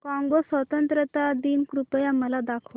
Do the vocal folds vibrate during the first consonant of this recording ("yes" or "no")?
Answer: no